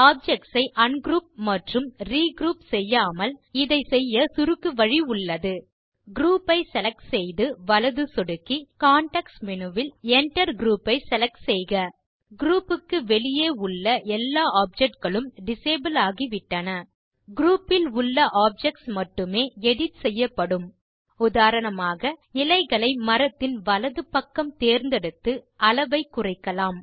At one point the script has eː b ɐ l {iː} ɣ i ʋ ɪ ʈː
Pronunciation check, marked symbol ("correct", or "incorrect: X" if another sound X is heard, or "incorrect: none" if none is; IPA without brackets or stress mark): incorrect: aː